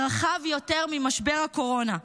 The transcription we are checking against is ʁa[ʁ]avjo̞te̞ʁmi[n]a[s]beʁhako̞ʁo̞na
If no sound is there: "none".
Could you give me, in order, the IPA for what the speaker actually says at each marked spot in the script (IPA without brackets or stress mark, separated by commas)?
χ, m, ʃ